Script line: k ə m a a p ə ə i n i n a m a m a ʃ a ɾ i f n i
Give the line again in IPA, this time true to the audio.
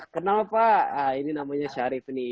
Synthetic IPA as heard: k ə n a a p a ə i n i n a m a ɲ a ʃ a ɾ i f n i